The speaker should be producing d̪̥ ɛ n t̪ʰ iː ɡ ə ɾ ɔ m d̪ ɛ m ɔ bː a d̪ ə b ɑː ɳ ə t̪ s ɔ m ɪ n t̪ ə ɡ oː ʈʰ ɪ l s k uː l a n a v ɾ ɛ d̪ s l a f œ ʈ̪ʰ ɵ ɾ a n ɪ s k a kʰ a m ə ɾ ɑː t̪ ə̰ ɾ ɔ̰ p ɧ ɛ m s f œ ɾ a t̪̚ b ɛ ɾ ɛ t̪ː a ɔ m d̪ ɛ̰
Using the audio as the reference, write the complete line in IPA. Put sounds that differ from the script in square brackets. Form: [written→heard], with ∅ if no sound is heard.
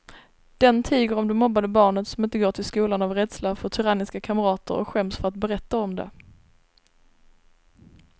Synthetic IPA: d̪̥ ɛ n t̪ʰ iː ɡ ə ɾ ɔ m d̪ ɛ m ɔ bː a d̪ ə b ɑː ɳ ə t̪ s ɔ m ɪ n t̪ ə ɡ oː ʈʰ ɪ l s k uː l a n a v ɾ ɛ d̪ s l a f œ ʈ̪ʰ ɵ ɾ a n ɪ s k a kʰ a m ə ɾ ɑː t̪ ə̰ ɾ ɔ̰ [p→k] ɧ ɛ m s f œ ɾ a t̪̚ b ɛ ɾ ɛ t̪ː a ɔ m d̪ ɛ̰